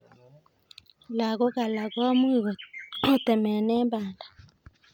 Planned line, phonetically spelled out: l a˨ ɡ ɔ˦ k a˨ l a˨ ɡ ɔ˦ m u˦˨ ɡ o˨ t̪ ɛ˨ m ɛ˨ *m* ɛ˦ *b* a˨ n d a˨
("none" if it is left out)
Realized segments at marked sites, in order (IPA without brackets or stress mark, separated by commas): n, b